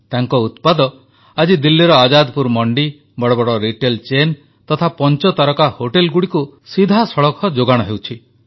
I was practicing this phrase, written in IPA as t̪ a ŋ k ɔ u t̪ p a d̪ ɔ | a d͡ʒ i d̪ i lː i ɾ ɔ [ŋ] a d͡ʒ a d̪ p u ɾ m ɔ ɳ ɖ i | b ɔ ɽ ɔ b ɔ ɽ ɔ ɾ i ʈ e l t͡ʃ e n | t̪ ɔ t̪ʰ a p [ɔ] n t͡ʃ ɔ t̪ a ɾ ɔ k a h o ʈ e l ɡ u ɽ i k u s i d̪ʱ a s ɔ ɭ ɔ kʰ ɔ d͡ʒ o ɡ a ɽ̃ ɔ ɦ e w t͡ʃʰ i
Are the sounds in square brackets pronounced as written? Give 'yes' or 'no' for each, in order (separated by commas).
no, yes